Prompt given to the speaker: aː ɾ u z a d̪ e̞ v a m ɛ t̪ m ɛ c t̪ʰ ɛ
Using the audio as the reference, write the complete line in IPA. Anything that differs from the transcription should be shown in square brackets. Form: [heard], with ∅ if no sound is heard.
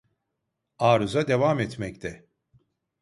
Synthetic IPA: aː ɾ u z a d̪ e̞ v a m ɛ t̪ m ɛ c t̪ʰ ɛ

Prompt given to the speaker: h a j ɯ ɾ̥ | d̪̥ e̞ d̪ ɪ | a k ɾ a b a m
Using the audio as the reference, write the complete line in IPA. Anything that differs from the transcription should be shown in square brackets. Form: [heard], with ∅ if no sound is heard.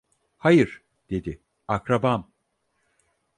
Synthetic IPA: h a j ɯ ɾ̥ | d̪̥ e̞ d̪ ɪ | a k ɾ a b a m

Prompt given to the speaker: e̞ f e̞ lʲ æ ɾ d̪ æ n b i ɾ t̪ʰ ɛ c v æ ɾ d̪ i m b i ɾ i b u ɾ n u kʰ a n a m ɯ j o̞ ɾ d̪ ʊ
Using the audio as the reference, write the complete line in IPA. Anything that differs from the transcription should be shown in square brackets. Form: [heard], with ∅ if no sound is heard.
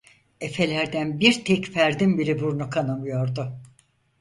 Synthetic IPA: e̞ f e̞ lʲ æ ɾ d̪ æ n b i ɾ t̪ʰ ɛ c [f] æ ɾ d̪ i m b i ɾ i b u ɾ n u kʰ a n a m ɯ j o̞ ɾ d̪ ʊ

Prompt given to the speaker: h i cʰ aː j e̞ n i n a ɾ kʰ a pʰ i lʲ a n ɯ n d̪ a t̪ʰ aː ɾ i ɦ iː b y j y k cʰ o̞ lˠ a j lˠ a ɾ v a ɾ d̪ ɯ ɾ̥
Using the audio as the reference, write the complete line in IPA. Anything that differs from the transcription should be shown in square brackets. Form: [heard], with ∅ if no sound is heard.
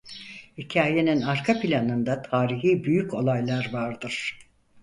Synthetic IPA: h i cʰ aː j e̞ n i n a ɾ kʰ a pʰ i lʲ a n ɯ n d̪ a t̪ʰ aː ɾ i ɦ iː b y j y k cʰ o̞ lˠ a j lˠ a ɾ v a ɾ d̪ ɯ ɾ̥

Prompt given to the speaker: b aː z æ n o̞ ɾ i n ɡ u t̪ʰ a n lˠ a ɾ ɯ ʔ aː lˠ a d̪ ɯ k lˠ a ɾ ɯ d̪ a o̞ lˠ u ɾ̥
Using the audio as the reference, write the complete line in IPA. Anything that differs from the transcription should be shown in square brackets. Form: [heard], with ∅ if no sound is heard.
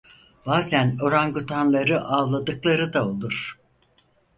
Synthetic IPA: b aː z æ n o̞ ɾ [a] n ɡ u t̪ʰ a n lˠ a ɾ ɯ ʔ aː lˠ a d̪ ɯ k lˠ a ɾ ɯ d̪ a o̞ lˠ u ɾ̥

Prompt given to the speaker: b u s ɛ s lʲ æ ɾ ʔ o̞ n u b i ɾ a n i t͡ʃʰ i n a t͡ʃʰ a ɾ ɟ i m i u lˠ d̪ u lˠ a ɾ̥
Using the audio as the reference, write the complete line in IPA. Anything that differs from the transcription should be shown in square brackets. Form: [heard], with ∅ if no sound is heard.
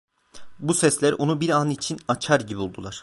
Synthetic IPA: b u s ɛ s lʲ æ ɾ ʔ o̞ n u b i ɾ a n i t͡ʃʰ i n a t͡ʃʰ a ɾ ɟ i [b] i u lˠ d̪ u lˠ a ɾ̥

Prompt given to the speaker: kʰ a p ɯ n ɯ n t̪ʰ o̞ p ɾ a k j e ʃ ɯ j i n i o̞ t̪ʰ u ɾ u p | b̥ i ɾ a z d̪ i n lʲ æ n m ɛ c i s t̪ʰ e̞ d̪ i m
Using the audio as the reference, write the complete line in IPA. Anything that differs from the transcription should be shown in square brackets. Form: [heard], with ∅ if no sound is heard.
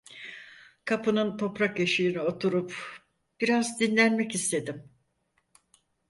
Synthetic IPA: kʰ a p ɯ n ɯ n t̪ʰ o̞ p ɾ a k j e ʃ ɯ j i n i o̞ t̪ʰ u ɾ u p | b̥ i ɾ a z d̪ i n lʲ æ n m ɛ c i s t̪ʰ e̞ d̪ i m

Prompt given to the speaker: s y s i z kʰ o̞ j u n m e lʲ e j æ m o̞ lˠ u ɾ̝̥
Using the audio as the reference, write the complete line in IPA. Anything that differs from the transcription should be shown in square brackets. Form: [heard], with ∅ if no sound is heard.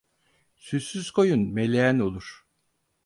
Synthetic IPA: s y s [y] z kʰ o̞ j u n m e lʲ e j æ [n] o̞ lˠ u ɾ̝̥

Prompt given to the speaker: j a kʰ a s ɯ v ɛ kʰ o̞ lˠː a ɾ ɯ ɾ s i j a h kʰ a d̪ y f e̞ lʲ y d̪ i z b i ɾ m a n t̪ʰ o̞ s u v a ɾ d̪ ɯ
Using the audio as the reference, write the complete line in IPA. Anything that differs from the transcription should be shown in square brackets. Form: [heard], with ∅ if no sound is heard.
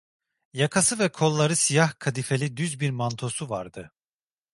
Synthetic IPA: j a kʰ a s ɯ v ɛ kʰ o̞ lˠː a ɾ ɯ [∅] s i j a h kʰ a d̪ [i] f e̞ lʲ [i] d̪ [y] z b i ɾ m a n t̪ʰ o̞ s u v a ɾ d̪ ɯ

